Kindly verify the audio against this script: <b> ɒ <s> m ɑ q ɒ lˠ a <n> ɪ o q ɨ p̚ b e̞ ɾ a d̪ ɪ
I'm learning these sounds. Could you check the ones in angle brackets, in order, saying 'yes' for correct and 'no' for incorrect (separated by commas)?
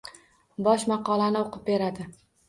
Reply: yes, no, yes